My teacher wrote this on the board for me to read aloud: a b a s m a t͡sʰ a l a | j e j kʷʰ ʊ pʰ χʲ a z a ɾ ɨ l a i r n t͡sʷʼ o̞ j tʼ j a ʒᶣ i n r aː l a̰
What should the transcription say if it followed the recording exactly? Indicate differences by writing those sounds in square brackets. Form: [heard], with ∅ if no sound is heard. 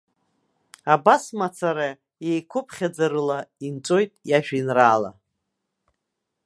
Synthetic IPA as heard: a b a s m a t͡sʰ a [ɾ] a | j e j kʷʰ ʊ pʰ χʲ a [d͡z] a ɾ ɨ l a i [∅] n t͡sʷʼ o̞ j tʼ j a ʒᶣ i n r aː l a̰